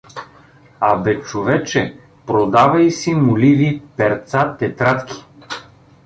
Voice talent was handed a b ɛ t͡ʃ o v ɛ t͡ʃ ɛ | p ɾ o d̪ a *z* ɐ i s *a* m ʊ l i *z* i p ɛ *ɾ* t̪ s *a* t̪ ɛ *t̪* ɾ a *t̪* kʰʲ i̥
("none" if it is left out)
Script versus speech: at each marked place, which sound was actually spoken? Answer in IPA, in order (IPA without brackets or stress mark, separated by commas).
v, i, v, ɾ, a, t̪, t̪